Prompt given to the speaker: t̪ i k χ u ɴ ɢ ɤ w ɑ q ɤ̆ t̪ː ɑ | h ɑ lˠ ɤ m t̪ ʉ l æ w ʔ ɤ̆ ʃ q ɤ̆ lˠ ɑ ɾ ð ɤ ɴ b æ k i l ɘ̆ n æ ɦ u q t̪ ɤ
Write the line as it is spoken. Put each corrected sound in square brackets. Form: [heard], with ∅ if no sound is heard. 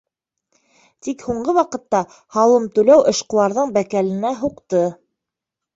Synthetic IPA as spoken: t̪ i k [h] u ɴ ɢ ɤ w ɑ q ɤ̆ t̪ː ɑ | h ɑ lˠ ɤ m t̪ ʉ l æ w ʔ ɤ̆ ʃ q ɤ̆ lˠ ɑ ɾ ð ɤ ɴ b æ k [æ] l ɘ̆ n æ ɦ u q t̪ ɤ